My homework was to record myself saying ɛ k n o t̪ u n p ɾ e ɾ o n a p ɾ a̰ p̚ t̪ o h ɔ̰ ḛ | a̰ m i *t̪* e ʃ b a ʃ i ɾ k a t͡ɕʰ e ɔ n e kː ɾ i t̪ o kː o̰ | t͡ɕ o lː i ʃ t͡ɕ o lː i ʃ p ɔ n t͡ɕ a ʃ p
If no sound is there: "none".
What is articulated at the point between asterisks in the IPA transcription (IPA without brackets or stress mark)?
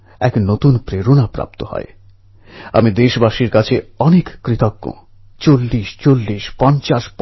d̪